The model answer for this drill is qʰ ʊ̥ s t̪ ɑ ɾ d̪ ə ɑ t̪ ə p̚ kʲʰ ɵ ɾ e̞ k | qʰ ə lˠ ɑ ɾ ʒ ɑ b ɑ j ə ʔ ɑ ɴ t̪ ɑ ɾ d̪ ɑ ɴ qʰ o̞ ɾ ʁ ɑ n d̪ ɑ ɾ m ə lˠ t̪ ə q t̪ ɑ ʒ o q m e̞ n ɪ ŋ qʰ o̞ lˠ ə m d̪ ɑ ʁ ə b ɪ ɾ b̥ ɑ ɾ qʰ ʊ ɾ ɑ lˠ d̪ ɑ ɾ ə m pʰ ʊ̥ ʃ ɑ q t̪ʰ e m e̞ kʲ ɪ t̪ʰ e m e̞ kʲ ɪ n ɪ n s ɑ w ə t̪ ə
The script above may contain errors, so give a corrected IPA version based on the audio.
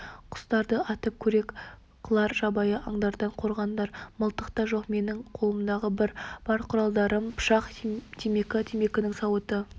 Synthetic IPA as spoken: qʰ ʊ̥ s t̪ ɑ ɾ d̪ ə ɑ t̪ ə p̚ kʲʰ ɵ ɾ e̞ k | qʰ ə lˠ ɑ ɾ ʒ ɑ b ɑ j ə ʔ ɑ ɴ d̪ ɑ ɾ d̪ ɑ ɴ qʰ o̞ ɾ ʁ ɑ n d̪ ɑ ɾ m ə lˠ t̪ ə q t̪ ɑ ʒ o q m e̞ n ɪ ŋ qʰ o̞ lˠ ə m d̪ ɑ ʁ ə b ɪ ɾ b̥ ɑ ɾ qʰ ʊ ɾ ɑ lˠ d̪ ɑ ɾ ə m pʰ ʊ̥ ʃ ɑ q t̪ʰ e m e̞ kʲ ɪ t̪ʰ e m e̞ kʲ ɪ n ɪ ŋ s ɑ w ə t̪ ə